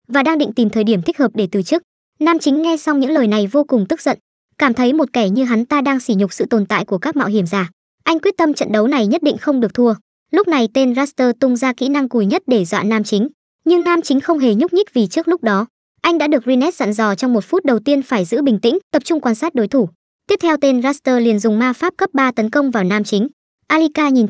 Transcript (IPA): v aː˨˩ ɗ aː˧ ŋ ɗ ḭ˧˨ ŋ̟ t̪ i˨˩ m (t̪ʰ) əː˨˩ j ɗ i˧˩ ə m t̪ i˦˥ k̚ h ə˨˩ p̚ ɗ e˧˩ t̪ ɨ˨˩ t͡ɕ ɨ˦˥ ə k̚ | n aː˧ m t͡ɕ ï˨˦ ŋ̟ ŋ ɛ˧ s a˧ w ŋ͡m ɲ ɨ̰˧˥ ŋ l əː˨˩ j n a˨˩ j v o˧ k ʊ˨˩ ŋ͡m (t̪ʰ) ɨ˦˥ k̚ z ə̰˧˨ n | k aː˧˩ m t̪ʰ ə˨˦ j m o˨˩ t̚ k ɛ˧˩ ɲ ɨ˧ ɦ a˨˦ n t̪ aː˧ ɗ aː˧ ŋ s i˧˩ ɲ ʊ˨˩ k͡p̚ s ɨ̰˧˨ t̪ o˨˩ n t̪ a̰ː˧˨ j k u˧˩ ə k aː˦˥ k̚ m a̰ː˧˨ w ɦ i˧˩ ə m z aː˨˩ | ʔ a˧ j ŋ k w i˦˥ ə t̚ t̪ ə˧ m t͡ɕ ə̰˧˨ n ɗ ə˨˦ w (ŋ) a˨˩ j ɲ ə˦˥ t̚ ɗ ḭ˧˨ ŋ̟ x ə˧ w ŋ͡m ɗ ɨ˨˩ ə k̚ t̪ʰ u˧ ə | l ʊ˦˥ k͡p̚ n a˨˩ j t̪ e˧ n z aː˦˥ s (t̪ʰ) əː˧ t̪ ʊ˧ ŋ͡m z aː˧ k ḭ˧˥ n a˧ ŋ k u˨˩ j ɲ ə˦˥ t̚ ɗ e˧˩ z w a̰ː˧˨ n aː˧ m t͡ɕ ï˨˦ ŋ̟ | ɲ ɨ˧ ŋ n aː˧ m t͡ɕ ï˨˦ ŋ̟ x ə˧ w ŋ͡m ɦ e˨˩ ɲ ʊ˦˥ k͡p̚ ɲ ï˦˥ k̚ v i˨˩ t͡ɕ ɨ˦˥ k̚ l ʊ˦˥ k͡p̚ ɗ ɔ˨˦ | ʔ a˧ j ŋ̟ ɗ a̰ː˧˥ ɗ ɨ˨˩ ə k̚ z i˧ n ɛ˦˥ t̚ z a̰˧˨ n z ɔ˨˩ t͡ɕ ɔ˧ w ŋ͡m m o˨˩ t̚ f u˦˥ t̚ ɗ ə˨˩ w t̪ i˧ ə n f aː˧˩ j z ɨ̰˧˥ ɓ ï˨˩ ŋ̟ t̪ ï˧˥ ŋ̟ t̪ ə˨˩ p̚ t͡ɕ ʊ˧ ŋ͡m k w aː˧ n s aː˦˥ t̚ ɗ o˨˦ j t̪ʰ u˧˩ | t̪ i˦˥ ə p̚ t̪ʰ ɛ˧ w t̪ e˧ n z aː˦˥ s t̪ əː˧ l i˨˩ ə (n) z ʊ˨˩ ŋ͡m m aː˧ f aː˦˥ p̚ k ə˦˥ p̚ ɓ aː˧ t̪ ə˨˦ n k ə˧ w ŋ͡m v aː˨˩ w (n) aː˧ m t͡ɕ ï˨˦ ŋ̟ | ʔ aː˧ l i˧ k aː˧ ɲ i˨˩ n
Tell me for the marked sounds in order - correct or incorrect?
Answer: correct, incorrect, incorrect, incorrect, correct, correct

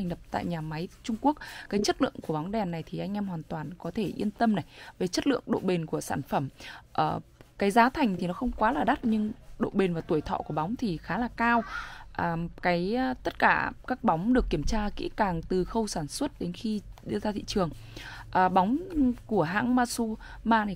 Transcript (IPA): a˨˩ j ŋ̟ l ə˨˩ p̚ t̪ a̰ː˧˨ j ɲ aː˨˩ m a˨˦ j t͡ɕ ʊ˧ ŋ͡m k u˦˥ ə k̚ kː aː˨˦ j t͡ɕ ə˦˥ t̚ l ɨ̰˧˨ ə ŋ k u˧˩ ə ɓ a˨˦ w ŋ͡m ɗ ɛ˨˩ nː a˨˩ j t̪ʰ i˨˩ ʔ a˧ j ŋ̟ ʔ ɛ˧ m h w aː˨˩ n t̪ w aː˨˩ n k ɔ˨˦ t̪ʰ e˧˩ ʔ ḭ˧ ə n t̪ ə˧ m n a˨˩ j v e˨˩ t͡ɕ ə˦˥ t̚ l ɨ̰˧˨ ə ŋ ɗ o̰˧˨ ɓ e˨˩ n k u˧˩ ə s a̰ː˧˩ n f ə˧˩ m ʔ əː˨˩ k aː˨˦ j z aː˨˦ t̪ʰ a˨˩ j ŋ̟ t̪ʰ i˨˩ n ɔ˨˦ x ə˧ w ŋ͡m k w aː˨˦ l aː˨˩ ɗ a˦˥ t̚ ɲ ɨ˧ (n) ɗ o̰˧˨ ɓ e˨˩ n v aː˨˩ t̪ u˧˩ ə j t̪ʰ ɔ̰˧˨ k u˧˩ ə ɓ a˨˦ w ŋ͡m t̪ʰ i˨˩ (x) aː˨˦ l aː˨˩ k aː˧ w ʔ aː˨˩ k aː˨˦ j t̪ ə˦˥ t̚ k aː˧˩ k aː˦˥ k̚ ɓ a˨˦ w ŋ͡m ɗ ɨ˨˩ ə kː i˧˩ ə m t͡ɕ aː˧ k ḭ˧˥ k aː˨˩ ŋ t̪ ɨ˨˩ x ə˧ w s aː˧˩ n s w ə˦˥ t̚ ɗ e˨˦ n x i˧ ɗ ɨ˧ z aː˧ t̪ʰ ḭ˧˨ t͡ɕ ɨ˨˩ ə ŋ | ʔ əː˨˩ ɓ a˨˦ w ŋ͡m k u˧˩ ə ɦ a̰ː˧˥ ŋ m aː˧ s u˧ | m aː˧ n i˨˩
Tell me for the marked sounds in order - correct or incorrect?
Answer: incorrect, correct

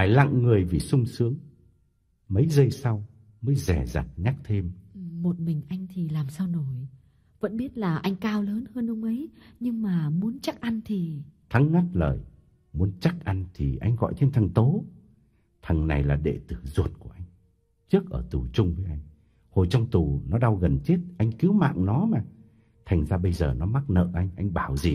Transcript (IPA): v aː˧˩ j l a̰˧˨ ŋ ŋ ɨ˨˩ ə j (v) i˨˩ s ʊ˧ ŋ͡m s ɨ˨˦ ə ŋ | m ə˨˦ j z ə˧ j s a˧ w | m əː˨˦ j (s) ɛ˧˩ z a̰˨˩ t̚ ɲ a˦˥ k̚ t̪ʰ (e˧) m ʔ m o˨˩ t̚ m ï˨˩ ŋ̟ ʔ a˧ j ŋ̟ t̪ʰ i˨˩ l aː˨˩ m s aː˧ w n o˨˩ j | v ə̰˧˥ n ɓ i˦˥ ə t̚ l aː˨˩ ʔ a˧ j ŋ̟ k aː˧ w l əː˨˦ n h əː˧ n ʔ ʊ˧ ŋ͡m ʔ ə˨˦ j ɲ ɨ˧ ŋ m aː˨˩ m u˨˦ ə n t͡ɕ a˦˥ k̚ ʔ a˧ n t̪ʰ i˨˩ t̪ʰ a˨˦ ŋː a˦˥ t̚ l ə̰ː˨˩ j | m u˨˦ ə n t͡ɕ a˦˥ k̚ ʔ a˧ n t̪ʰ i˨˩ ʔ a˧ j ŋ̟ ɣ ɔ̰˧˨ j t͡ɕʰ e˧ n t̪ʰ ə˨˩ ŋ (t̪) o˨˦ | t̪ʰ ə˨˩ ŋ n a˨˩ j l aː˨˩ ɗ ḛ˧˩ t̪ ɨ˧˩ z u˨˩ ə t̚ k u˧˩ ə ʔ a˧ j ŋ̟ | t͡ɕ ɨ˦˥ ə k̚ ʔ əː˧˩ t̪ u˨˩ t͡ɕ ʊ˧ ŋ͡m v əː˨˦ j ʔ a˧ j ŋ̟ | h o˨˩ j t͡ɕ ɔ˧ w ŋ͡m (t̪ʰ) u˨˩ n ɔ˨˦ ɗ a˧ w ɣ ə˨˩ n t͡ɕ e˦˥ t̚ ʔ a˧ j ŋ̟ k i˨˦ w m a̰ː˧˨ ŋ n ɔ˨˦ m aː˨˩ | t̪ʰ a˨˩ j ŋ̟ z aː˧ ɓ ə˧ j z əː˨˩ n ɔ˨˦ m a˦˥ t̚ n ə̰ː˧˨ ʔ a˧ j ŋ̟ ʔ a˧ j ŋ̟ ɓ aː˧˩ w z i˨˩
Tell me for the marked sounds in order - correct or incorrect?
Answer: correct, incorrect, correct, correct, incorrect

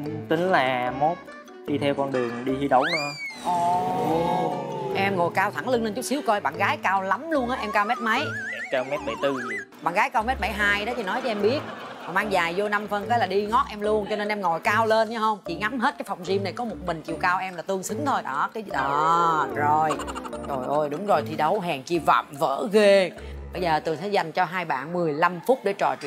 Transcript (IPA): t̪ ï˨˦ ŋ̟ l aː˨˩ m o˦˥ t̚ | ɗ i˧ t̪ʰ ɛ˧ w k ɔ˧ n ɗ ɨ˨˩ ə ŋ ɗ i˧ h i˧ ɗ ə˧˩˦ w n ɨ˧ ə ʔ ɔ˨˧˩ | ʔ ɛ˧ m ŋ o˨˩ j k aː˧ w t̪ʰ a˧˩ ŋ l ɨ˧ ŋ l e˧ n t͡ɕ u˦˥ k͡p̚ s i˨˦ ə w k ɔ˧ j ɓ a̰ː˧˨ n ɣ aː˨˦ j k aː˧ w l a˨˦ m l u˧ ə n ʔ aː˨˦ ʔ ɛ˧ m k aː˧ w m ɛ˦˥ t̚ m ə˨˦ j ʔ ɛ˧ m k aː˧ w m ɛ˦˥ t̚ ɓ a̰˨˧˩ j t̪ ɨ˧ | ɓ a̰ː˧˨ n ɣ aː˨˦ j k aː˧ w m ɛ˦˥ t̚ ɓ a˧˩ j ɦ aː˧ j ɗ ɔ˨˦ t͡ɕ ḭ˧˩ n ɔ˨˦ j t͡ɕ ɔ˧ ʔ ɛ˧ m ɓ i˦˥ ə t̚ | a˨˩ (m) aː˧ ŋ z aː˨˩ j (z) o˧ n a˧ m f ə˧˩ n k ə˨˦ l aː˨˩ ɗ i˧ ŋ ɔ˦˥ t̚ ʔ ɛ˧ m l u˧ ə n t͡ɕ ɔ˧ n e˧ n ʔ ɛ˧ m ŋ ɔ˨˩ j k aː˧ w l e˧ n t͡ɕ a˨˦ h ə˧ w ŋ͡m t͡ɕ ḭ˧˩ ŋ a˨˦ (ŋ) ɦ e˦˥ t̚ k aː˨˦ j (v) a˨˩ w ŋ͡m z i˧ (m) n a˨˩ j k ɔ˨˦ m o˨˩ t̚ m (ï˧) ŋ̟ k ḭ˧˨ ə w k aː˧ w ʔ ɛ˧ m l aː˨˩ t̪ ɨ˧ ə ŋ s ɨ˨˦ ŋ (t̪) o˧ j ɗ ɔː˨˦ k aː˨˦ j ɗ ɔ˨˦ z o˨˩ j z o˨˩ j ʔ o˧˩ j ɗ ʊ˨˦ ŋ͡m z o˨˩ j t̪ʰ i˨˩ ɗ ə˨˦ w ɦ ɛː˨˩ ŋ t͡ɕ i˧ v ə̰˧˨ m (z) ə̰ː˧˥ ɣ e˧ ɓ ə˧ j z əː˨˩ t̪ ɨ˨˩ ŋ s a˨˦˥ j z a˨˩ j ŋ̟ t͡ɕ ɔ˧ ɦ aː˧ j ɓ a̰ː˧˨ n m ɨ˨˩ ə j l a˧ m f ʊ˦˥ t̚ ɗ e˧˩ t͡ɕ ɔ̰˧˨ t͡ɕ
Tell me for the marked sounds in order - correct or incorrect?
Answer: correct, correct, incorrect, incorrect, correct, incorrect, incorrect, incorrect

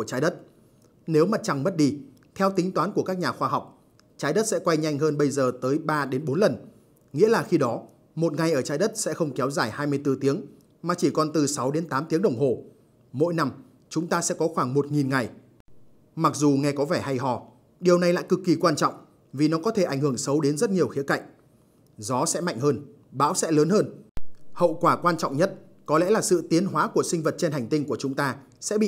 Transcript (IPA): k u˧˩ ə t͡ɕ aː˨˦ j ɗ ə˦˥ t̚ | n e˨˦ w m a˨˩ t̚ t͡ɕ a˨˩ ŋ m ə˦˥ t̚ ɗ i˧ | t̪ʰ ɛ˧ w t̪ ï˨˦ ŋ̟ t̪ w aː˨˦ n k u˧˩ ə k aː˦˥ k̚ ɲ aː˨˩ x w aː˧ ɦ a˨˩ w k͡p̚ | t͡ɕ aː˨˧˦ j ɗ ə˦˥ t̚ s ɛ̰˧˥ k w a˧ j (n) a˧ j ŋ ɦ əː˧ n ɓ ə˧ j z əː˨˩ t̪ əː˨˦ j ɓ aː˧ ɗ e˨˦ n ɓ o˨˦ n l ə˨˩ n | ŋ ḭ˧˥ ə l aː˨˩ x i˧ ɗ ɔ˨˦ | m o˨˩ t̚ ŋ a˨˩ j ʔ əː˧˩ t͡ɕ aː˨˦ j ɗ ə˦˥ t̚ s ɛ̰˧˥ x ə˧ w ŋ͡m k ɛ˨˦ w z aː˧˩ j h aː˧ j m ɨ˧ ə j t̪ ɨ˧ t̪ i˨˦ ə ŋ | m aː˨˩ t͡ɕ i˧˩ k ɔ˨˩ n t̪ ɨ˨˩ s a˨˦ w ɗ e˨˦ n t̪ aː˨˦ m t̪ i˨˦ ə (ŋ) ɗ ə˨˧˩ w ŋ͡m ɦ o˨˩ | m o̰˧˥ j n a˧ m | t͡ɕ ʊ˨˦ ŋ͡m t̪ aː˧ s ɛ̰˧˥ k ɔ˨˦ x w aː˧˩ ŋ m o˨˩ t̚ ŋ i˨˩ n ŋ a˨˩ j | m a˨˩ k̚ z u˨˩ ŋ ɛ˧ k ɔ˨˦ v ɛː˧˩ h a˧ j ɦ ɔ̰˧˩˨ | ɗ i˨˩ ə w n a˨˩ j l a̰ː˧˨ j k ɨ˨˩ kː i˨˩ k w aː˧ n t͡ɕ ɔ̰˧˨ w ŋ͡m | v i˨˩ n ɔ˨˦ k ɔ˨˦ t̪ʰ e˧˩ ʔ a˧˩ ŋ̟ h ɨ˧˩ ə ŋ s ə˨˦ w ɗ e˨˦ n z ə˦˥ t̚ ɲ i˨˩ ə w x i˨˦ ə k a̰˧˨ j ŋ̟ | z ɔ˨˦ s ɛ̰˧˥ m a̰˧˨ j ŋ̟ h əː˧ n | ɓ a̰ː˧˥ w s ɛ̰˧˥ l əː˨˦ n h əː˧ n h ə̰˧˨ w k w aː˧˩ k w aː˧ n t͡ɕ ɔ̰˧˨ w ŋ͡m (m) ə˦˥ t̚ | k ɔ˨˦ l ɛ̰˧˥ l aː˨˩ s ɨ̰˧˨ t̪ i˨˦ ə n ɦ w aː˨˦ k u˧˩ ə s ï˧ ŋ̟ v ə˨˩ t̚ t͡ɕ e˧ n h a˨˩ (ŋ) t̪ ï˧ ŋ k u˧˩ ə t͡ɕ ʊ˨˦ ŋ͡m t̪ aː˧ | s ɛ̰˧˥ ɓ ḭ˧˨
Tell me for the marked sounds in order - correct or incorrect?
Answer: incorrect, correct, incorrect, correct

